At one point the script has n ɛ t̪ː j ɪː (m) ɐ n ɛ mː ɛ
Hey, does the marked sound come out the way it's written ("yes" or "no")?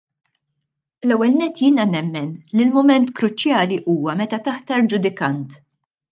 no